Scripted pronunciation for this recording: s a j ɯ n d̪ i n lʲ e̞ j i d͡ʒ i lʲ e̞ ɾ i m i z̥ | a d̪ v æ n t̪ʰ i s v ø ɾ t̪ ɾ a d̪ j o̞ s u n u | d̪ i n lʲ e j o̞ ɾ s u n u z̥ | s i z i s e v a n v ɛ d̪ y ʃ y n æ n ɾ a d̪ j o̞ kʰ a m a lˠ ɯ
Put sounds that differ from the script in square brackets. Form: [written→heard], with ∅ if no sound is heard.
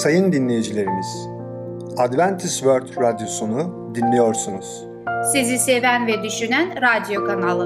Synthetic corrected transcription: s a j ɯ n d̪ i n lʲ e̞ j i d͡ʒ i lʲ e̞ ɾ i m i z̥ | a d̪ v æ n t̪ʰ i s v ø ɾ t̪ ɾ a d̪ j o̞ s u n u | d̪ i n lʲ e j o̞ ɾ s u n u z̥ | s i z i s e v [a→æ] n v ɛ d̪ y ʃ y n æ n ɾ a d̪ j o̞ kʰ a [m→n] a lˠ ɯ